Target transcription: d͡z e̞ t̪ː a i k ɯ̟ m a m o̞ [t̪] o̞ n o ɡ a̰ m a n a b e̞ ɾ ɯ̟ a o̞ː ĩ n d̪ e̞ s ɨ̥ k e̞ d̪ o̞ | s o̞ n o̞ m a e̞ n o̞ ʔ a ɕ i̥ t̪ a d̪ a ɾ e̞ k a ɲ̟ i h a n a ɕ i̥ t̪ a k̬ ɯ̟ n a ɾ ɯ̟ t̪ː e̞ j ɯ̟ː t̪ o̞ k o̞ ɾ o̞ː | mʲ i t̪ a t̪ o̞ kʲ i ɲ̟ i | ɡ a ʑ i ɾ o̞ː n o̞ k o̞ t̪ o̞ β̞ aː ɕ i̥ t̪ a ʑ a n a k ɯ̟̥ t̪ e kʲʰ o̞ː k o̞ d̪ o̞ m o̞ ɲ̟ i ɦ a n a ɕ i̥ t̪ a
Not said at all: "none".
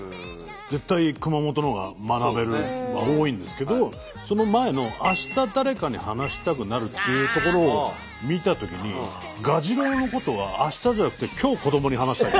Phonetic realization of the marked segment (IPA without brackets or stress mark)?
t̪